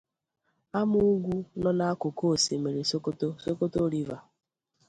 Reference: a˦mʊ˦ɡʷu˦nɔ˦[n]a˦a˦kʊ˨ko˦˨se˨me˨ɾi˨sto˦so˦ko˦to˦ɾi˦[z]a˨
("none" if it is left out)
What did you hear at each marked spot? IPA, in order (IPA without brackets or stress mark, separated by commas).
n, v